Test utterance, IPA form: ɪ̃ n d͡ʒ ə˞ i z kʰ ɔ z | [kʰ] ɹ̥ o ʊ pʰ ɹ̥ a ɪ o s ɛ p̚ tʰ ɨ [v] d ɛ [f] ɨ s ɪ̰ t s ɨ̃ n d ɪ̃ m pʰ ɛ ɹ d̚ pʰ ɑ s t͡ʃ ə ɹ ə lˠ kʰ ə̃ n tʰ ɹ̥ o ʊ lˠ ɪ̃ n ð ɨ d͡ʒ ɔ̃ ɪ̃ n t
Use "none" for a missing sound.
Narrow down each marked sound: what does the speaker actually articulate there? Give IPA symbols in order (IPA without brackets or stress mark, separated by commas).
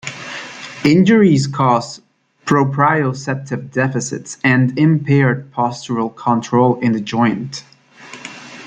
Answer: pʰ, v, f